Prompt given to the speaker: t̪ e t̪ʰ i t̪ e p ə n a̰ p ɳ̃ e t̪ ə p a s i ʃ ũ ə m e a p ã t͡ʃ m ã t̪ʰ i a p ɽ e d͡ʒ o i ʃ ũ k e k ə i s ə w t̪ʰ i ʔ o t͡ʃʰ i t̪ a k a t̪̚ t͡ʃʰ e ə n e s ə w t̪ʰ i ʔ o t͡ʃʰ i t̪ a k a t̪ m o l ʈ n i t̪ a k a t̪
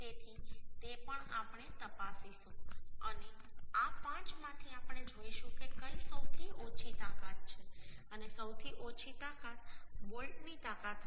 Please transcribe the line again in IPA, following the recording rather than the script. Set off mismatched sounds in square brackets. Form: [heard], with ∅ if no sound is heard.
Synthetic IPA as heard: t̪ e t̪ʰ i t̪ e p ə [ɳ] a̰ p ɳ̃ e t̪ ə p a s i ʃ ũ ə [n] e a p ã t͡ʃ m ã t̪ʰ i a p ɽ e d͡ʒ o i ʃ ũ k e k ə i s ə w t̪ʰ i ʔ o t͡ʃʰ i t̪ a k a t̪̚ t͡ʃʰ e ə n e s ə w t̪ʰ i ʔ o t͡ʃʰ i t̪ a k a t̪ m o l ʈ n i t̪ a k a t̪